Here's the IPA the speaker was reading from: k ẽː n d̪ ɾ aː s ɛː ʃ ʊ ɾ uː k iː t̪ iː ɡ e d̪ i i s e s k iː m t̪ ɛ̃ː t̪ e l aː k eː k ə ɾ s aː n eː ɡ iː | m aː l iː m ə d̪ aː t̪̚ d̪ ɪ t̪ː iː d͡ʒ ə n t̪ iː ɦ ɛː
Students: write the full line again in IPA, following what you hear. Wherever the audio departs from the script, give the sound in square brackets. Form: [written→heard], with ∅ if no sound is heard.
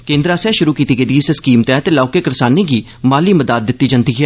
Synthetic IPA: k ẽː n d̪ ɾ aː s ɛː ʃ ʊ ɾ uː k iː t̪ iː ɡ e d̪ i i s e s k iː m t̪ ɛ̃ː t̪ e l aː k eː k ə ɾ s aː n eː ɡ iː | m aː l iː m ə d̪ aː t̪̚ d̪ ɪ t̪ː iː d͡ʒ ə n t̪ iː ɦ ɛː